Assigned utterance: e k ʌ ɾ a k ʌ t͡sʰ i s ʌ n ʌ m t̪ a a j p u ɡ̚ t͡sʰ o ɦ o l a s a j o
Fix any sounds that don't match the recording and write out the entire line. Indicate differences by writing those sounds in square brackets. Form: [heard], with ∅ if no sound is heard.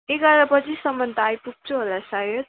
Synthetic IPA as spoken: e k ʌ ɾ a [p] ʌ t͡sʰ i s ʌ [m] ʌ [n] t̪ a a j p u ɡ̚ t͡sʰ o ɦ o l a s a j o